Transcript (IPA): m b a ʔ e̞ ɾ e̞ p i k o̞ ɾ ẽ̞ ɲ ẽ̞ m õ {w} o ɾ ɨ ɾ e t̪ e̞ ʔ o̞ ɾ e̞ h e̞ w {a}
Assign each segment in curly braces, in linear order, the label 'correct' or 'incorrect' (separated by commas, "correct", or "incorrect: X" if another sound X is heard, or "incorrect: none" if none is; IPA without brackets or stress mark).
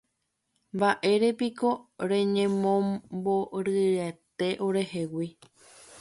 incorrect: b, incorrect: i